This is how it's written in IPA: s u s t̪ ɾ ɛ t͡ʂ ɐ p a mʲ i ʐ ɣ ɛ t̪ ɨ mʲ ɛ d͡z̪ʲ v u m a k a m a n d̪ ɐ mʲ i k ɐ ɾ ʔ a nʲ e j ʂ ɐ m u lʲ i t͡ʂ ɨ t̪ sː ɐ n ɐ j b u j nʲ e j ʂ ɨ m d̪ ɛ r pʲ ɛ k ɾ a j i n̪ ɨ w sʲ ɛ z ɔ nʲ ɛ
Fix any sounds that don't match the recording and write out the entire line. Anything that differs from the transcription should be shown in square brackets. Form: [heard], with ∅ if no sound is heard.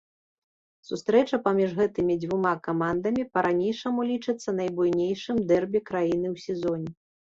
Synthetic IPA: s u s t̪ ɾ ɛ t͡ʂ ɐ p a mʲ i ʐ ɣ ɛ t̪ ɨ mʲ [i] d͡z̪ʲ v u m a k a m a n d̪ ɐ mʲ i [p] ɐ ɾ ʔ a nʲ e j ʂ ɐ m u lʲ i t͡ʂ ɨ t̪ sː ɐ n ɐ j b u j nʲ e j ʂ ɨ m d̪ ɛ r [bʲ] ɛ k ɾ a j i n̪ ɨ w sʲ ɛ z ɔ nʲ ɛ

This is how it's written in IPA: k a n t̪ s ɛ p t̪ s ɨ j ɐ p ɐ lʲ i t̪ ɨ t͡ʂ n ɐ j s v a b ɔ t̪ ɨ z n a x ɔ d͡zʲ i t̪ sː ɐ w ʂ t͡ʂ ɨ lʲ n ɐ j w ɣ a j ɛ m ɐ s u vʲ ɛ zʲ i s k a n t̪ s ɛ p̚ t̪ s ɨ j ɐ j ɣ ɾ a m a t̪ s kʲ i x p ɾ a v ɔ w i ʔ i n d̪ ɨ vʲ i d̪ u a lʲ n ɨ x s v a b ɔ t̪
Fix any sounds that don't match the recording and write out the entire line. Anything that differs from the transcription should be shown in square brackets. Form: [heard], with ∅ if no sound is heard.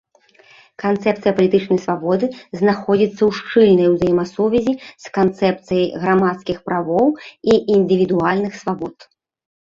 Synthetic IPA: k a n t̪ s ɛ p t̪ s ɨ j ɐ p ɐ lʲ i t̪ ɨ t͡ʂ n ɐ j s v a b ɔ [d̪] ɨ z n a x ɔ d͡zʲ i t̪ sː ɐ w ʂ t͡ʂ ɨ lʲ n ɐ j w [z] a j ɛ m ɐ s u vʲ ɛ zʲ i s k a n t̪ s ɛ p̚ t̪ s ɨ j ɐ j ɣ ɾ a m a t̪ s kʲ i x p ɾ a v ɔ w i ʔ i n d̪ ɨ vʲ i d̪ u a lʲ n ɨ x s v a b ɔ t̪

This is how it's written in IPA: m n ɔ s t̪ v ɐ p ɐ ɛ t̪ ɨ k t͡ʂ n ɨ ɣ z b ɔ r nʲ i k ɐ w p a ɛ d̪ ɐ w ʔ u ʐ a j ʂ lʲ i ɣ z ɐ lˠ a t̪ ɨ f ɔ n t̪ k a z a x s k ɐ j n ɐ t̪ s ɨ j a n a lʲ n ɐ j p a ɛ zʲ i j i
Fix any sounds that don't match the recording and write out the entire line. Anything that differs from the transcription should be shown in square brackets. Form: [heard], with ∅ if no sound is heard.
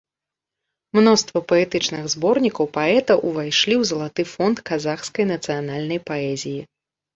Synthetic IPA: m n ɔ s t̪ v ɐ p ɐ ɛ t̪ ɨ [∅] t͡ʂ n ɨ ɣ z b ɔ r nʲ i k ɐ w p a ɛ [t̪] ɐ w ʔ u [v] a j ʂ lʲ i [w] z ɐ lˠ a t̪ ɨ f ɔ n t̪ k a z a x s k ɐ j n ɐ t̪ s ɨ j a n a lʲ n ɐ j p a ɛ zʲ i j i

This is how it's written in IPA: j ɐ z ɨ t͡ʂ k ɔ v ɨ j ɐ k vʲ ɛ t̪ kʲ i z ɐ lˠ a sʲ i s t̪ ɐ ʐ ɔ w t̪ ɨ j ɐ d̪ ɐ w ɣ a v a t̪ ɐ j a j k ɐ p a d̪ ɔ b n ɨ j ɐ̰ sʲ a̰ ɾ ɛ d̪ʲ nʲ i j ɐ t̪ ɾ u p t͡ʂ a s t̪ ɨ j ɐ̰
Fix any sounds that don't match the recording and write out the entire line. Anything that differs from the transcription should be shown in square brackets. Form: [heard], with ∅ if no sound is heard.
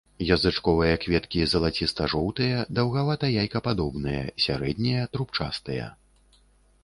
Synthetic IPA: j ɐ z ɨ t͡ʂ k ɔ v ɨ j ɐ k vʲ ɛ t̪ kʲ i z ɐ lˠ a [t͡sʲ] i s t̪ ɐ ʐ ɔ w t̪ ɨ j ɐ d̪ ɐ w ɣ a v a t̪ ɐ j a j k ɐ p a d̪ ɔ b n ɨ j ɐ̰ sʲ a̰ ɾ ɛ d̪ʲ nʲ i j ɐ t̪ ɾ u p t͡ʂ a s t̪ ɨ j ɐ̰

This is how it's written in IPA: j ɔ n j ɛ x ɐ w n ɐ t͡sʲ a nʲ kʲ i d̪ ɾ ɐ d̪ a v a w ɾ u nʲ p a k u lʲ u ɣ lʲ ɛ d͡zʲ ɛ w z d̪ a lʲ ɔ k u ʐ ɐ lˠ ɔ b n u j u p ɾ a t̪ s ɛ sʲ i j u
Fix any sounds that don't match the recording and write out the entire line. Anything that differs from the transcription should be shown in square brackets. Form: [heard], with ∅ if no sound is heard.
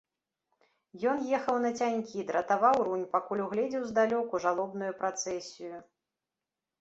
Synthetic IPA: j ɔ n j ɛ x ɐ w n ɐ t͡sʲ a nʲ kʲ i d̪ ɾ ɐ [t̪] a v a w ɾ u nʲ p a k u lʲ u ɣ lʲ ɛ d͡zʲ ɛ w z d̪ a lʲ ɔ k u ʐ [a] lˠ ɔ b n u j u p ɾ a t̪ s ɛ sʲ i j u

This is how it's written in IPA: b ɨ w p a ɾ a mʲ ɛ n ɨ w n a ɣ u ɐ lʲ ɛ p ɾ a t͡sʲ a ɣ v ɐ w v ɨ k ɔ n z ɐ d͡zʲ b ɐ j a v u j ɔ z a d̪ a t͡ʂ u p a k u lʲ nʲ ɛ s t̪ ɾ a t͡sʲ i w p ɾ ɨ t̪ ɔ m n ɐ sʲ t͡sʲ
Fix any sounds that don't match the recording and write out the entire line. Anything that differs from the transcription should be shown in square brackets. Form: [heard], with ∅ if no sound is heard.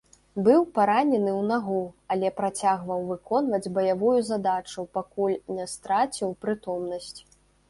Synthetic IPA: b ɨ w p a ɾ a [nʲ] ɛ n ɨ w n a ɣ u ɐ lʲ ɛ p ɾ a t͡sʲ a ɣ v ɐ w v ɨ k ɔ n [v] ɐ d͡zʲ b ɐ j a v u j [u] z a d̪ a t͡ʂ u p a k u lʲ nʲ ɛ s t̪ ɾ a t͡sʲ i w p ɾ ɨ t̪ ɔ m n ɐ sʲ t͡sʲ

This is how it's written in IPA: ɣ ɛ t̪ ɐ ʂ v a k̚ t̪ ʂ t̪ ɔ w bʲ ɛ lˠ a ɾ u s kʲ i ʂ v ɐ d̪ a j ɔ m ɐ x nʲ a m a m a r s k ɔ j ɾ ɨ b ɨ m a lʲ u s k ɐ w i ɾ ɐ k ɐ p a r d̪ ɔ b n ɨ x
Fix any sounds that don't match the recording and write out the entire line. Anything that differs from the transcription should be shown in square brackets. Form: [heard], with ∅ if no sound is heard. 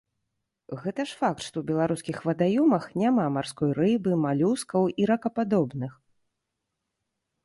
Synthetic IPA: ɣ ɛ t̪ ɐ ʂ [f] a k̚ t̪ ʂ t̪ ɔ w bʲ ɛ lˠ a ɾ u s kʲ i [x] v ɐ d̪ a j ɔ m ɐ x nʲ a m a m a r s k ɔ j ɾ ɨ b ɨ m a lʲ u s k ɐ w i ɾ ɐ k ɐ p a [∅] d̪ ɔ b n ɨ x

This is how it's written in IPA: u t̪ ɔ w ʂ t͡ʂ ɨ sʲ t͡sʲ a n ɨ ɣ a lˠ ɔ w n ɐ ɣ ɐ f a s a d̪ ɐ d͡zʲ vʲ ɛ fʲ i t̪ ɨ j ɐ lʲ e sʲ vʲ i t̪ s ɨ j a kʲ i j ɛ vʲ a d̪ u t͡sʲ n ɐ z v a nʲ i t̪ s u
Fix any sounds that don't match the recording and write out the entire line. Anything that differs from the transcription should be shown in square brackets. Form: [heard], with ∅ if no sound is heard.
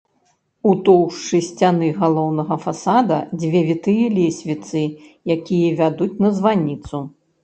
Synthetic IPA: u t̪ ɔ w ʂ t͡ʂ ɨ sʲ t͡sʲ a n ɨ ɣ a lˠ ɔ w n ɐ ɣ ɐ f a s a d̪ ɐ d͡zʲ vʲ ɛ [vʲ] i t̪ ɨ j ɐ lʲ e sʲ vʲ i t̪ s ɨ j a kʲ i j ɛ vʲ a d̪ u t͡sʲ n ɐ z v a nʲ i t̪ s u

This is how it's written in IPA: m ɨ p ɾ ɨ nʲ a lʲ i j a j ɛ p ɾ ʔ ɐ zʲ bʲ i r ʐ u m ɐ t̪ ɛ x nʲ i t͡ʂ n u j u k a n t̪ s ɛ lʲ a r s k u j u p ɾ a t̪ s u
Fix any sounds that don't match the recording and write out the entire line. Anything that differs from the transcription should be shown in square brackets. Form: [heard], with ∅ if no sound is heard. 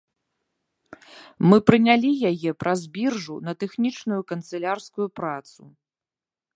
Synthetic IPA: m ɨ p ɾ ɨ nʲ a lʲ i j a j ɛ p ɾ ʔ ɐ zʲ bʲ i r ʐ u [n] ɐ t̪ ɛ x nʲ i t͡ʂ n u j u k [ɐ] n t̪ s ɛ lʲ a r s k u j u p ɾ a t̪ s u

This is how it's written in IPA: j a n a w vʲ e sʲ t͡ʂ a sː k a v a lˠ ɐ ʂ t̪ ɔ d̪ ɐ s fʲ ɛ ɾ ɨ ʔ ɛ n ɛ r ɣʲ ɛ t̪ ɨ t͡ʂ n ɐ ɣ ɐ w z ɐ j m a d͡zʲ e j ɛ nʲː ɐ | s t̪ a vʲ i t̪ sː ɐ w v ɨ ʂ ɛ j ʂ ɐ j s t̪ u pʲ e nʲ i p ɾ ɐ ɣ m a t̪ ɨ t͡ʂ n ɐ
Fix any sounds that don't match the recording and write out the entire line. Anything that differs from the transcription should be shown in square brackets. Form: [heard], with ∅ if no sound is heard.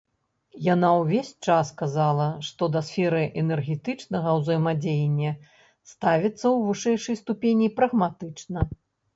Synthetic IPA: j a n a w vʲ e sʲ t͡ʂ a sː k a [z] a lˠ ɐ ʂ t̪ ɔ d̪ ɐ s fʲ ɛ ɾ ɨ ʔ ɛ n ɛ r ɣʲ ɛ t̪ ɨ t͡ʂ n ɐ ɣ ɐ w z ɐ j m a d͡zʲ e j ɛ nʲː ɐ | s t̪ a vʲ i t̪ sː ɐ w v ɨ ʂ ɛ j ʂ ɐ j s t̪ u pʲ e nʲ i p ɾ ɐ ɣ m a t̪ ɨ t͡ʂ n ɐ

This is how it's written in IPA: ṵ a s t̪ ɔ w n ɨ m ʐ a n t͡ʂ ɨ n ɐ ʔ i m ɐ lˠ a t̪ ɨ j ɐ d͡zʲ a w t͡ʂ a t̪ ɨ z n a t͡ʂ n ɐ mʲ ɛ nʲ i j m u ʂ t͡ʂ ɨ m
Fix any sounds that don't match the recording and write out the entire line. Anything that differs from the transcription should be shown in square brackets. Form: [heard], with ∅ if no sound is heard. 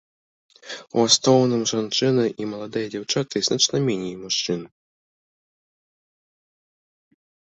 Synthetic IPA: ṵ a s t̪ ɔ w n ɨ m ʐ a n t͡ʂ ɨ n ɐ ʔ i m ɐ lˠ a [d̪] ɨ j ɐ d͡zʲ a w t͡ʂ a t̪ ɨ z n a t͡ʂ n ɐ mʲ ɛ nʲ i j m u ʂ t͡ʂ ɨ [n]

